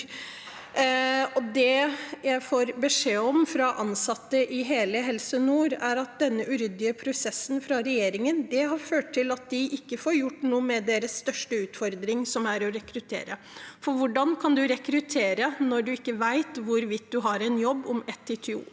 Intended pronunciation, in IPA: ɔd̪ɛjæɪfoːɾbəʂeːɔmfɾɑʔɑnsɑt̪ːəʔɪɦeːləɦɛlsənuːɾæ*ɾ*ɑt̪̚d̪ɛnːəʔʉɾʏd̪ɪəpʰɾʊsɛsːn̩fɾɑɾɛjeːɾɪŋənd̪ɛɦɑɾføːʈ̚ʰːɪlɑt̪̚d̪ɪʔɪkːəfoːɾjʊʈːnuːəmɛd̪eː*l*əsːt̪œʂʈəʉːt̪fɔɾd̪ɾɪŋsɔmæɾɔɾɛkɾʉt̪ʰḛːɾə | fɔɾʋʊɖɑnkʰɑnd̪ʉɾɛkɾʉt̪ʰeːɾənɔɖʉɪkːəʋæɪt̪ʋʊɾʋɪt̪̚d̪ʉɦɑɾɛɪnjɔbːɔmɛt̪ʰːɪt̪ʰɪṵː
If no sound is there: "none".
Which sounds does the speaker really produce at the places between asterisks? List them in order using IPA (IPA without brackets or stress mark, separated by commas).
ɾ, ɾ